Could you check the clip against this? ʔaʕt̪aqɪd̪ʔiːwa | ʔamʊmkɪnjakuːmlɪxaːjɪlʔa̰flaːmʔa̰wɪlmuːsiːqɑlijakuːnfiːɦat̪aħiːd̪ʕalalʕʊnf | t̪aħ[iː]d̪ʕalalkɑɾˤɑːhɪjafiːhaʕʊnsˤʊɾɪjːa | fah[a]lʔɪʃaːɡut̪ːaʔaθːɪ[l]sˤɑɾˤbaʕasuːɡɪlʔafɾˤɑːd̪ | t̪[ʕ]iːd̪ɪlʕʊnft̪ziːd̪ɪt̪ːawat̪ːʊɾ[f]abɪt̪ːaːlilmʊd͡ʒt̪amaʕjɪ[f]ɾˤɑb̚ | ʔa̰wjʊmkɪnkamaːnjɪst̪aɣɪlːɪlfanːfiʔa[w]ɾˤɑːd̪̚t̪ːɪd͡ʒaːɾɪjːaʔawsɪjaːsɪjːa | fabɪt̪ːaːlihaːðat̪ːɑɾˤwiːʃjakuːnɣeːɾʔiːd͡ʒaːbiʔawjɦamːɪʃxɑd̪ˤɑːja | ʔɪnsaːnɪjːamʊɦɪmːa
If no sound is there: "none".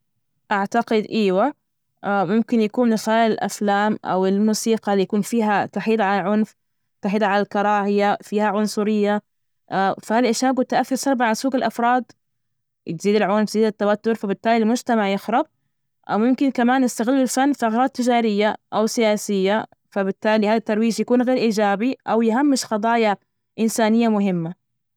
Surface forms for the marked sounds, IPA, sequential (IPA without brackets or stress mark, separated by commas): iː, a, ɾ, z, f, x, ɣ